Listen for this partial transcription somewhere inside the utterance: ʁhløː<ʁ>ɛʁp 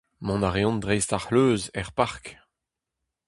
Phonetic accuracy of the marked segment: incorrect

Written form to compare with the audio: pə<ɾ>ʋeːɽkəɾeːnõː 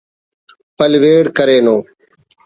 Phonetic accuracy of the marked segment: incorrect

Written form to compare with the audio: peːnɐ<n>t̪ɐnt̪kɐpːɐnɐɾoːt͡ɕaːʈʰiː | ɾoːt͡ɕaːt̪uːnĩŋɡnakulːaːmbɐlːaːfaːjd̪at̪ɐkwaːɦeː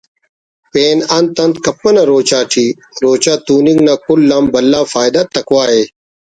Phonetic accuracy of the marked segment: correct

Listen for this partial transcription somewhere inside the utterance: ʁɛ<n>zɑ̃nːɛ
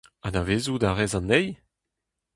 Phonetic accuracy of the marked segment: incorrect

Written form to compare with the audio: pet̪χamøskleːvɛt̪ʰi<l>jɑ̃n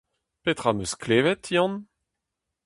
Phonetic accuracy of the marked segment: incorrect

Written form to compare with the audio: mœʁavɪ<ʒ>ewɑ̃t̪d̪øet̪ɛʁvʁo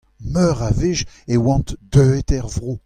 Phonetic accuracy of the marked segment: correct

